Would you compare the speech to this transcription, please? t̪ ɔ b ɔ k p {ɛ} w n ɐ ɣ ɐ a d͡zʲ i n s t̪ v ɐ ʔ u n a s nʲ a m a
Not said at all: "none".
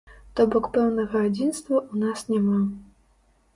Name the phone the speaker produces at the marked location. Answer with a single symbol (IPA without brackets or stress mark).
ɛ